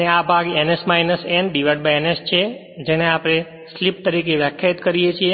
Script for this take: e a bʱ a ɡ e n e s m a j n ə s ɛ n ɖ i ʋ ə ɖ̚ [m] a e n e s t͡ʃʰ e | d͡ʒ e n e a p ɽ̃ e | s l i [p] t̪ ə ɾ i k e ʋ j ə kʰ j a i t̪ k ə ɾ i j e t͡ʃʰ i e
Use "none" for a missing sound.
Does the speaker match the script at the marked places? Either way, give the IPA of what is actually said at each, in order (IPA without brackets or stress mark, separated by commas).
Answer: b, p